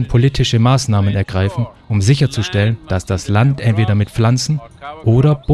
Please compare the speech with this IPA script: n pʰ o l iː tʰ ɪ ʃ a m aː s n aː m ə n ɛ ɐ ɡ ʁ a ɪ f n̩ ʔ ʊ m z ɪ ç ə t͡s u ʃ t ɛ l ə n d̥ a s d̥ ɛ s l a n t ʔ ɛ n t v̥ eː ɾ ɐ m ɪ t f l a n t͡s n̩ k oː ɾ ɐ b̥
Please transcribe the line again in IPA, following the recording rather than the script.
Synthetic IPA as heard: n pʰ o l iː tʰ ɪ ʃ ə m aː s n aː m ə n ɛ ɐ ɡ ʁ a ɪ f n̩ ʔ ʊ m z ɪ ç ɐ t͡s u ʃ t ɛ l ə n d̥ a s d̥ a s l a n t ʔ ɛ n t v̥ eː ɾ ɐ m ɪ t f l a n t͡s n̩ ʔ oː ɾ ɐ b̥